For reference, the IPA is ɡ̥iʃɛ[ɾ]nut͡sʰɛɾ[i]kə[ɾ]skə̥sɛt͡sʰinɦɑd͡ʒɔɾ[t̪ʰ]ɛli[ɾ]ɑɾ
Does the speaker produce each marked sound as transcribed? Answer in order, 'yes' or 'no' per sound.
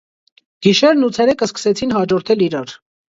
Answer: yes, no, no, yes, yes

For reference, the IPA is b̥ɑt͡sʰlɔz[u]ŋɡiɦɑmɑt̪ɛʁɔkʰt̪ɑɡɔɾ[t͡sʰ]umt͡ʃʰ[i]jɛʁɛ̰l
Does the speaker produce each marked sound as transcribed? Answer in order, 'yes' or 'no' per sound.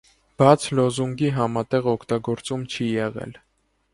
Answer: yes, no, yes

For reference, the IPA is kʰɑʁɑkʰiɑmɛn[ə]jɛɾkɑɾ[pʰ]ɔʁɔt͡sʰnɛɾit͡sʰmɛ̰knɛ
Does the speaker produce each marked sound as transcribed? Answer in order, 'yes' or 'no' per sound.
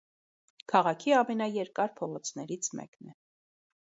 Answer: no, yes

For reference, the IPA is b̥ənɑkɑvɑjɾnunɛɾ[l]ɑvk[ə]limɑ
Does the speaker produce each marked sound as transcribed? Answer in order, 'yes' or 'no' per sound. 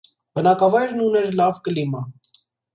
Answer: yes, yes

